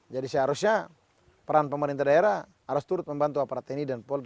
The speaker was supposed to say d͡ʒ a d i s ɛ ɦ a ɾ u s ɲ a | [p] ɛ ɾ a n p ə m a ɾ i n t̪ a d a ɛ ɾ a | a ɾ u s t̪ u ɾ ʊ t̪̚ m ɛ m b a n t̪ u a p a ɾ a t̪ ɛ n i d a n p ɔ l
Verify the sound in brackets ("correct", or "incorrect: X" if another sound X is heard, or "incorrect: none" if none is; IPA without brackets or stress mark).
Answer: correct